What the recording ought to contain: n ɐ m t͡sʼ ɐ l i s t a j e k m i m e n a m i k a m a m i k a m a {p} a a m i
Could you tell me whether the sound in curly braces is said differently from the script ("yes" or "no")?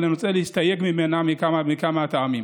yes